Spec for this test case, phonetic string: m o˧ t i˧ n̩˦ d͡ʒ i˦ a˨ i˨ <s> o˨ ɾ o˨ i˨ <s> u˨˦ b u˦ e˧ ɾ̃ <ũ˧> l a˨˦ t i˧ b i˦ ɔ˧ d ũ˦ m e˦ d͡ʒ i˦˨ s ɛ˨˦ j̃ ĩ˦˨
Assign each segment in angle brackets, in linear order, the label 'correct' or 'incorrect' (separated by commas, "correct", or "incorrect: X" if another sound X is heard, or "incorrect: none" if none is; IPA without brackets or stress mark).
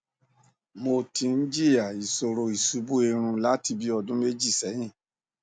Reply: correct, correct, correct